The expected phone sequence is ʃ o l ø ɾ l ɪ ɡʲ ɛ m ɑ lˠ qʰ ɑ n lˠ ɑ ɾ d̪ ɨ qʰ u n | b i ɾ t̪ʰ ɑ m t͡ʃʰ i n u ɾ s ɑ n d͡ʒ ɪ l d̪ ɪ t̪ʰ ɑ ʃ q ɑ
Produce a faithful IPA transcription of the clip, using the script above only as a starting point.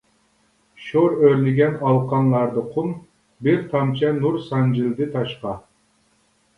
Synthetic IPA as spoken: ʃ o ɾ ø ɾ l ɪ ɡʲ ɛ n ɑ lˠ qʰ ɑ n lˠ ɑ ɾ d̪ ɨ qʰ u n | b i ɾ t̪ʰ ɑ m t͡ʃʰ ɛ n u ɾ s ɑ n d͡ʒ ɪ l d̪ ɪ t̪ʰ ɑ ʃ q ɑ